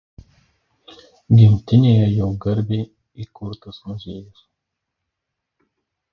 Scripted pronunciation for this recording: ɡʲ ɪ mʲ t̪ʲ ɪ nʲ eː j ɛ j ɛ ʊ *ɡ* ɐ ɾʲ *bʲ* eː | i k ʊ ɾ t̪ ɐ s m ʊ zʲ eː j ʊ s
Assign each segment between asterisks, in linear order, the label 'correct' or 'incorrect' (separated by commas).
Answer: correct, correct